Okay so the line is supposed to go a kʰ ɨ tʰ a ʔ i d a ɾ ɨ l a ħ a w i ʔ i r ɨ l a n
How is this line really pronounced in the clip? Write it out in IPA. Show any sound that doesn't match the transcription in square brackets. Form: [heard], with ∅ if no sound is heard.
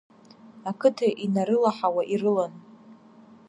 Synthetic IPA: a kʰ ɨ tʰ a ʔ i [n] a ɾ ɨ l a ħ a w [a] ʔ i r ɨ l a n